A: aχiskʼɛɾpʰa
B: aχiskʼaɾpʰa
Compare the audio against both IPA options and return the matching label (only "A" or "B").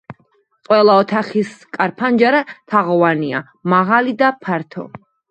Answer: B